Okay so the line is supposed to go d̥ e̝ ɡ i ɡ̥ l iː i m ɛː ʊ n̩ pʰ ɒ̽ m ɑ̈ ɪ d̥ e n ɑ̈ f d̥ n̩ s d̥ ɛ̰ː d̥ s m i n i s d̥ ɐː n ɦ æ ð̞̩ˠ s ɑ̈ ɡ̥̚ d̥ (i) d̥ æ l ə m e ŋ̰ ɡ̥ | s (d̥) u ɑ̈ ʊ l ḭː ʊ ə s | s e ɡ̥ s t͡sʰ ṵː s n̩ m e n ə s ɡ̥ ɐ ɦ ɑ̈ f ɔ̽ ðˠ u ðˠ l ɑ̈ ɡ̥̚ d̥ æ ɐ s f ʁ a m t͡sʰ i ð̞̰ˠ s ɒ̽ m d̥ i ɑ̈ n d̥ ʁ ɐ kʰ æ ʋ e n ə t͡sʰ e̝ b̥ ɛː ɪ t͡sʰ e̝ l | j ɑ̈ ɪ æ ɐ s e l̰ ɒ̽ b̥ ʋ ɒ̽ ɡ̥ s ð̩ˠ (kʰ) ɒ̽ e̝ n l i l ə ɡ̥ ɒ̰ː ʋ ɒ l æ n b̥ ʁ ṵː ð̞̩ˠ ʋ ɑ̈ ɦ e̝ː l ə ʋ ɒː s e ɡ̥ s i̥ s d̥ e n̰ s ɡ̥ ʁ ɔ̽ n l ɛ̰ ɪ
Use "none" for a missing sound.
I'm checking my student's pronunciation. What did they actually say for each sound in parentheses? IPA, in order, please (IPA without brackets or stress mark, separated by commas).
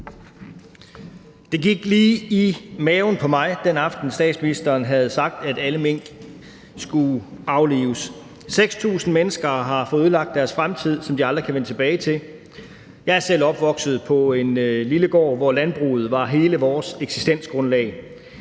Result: æ, ɡ̥, pʰ